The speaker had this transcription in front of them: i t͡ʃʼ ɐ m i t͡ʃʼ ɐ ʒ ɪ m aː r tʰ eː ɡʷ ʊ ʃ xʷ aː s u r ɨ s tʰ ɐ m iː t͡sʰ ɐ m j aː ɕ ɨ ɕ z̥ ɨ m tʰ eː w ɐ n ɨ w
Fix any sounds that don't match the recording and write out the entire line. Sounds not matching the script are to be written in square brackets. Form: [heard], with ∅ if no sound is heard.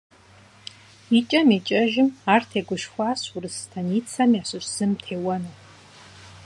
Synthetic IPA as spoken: i t͡ʃʼ ɐ m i t͡ʃʼ ɐ ʒ ɪ m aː r tʰ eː ɡʷ ʊ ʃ xʷ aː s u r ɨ s tʰ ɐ [n] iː t͡sʰ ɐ m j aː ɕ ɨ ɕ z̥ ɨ m tʰ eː w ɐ n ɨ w